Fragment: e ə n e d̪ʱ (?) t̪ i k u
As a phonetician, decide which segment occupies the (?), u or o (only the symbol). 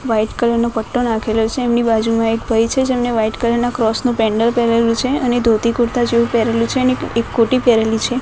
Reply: o